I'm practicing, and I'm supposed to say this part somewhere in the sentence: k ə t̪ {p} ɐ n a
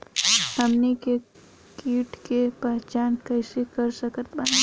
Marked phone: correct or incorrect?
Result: incorrect